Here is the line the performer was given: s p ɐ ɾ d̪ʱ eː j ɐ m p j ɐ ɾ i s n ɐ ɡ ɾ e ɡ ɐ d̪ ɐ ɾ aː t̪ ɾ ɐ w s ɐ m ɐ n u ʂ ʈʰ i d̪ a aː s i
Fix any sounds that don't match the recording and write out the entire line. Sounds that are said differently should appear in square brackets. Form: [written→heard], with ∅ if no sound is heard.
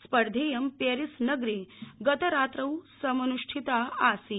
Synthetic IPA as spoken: s p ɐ ɾ d̪ʱ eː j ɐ m p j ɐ ɾ i s n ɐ ɡ ɾ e ɡ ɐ [d̪→t̪] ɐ ɾ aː t̪ ɾ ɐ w s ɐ m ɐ n u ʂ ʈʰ i [d̪→t̪] a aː s i

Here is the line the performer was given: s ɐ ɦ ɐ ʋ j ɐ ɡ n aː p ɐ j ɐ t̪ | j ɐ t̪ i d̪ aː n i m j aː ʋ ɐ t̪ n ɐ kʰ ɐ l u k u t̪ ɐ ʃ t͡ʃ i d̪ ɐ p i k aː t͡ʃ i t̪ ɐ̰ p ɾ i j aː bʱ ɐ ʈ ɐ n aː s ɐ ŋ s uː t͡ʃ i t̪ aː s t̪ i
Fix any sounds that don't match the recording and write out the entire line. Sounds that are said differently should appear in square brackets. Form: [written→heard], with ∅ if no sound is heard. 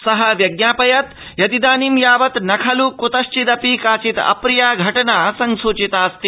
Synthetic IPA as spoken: s ɐ ɦ ɐ ʋ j ɐ ɡ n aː p ɐ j ɐ t̪ | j ɐ t̪ i d̪ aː n i m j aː ʋ ɐ t̪ n ɐ kʰ ɐ l u k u t̪ ɐ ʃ t͡ʃ i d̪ ɐ p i k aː t͡ʃ i t̪ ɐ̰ p ɾ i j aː [bʱ→ɡʱ] ɐ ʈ ɐ n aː s ɐ ŋ s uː t͡ʃ i t̪ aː s t̪ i

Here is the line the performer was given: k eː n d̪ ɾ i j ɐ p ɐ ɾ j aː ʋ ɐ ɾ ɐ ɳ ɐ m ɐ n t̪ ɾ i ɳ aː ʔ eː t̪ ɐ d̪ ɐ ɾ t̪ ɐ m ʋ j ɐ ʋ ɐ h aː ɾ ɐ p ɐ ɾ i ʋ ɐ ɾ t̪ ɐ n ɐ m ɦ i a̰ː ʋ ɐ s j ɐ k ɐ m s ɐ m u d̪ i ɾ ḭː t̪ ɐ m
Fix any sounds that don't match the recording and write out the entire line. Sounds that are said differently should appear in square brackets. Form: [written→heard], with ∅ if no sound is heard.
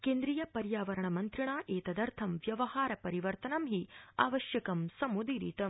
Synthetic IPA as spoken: k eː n d̪ ɾ i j ɐ p ɐ ɾ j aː ʋ ɐ ɾ ɐ ɳ ɐ m ɐ n t̪ ɾ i ɳ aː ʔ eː t̪ ɐ d̪ ɐ ɾ [t̪→t̪ʰ] ɐ m ʋ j ɐ ʋ ɐ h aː ɾ ɐ p ɐ ɾ i ʋ ɐ ɾ t̪ ɐ n ɐ m ɦ i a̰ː ʋ ɐ [s→ʃ] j ɐ k ɐ m s ɐ m u d̪ i ɾ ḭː t̪ ɐ m

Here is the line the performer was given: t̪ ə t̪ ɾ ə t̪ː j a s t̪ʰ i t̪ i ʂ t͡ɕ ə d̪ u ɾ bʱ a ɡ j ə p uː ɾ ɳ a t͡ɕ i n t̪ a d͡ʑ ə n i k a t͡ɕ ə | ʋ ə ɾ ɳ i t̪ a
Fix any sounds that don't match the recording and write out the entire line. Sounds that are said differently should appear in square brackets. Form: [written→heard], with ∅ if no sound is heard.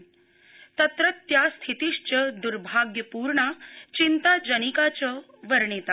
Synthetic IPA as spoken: t̪ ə t̪ ɾ ə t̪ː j a s t̪ʰ i t̪ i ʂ t͡ɕ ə d̪ u ɾ bʱ a ɡ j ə p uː ɾ ɳ a t͡ɕ i n t̪ a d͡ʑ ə n i k a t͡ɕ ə | ʋ ə ɾ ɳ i t̪ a

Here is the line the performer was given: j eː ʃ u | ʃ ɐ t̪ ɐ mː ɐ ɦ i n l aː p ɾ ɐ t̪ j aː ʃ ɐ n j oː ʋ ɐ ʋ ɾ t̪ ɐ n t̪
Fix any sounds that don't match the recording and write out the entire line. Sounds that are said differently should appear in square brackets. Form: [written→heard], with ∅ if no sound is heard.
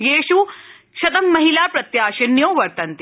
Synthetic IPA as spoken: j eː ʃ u | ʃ ɐ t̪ ɐ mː ɐ ɦ i [n→∅] l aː p ɾ ɐ t̪ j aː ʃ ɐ n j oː ʋ ɐ [ʋ→∅] ɾ t̪ ɐ n t̪

